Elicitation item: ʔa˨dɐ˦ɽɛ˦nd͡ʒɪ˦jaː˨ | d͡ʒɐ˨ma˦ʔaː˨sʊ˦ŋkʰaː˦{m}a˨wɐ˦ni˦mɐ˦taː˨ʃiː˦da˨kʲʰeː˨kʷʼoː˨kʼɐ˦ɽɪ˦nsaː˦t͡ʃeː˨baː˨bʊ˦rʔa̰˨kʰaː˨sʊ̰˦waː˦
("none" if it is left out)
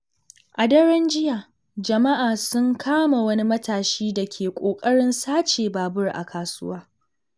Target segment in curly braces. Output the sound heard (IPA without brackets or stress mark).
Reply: m